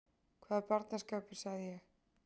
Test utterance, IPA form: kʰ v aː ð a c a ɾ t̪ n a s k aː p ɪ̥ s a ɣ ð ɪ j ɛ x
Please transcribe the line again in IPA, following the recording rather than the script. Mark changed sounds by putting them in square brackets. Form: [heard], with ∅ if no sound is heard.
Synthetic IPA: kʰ v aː ð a [p] a ɾ t̪ n a s k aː p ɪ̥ s a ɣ ð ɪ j ɛ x